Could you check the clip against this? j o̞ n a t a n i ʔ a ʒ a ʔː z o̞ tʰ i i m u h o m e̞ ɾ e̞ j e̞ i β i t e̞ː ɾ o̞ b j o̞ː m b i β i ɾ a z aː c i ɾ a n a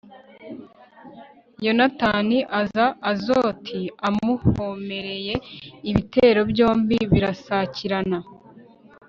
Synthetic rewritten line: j o̞ n a t a n i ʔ a z a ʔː z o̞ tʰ i a m u h o m e̞ ɾ e̞ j e̞ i β i t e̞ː ɾ o̞ b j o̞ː m b i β i ɾ a s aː c i ɾ a n a